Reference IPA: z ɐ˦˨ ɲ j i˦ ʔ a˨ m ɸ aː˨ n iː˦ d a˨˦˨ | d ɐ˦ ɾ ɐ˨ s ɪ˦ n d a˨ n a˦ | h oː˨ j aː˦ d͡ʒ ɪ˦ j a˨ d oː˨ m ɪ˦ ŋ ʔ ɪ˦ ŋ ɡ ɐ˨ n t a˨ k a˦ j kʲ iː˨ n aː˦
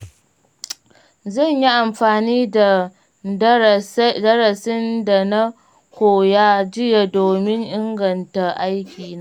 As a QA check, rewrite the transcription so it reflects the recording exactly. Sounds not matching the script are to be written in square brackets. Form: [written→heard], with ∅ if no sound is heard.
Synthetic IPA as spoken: z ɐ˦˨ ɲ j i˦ ʔ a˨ m ɸ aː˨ n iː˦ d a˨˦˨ | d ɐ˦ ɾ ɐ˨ s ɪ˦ n d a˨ n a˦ | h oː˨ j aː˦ d͡ʒ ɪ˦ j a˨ d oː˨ m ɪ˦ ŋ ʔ ɪ˦ ŋ ɡ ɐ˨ n t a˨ [k→ʔ] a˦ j kʲ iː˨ n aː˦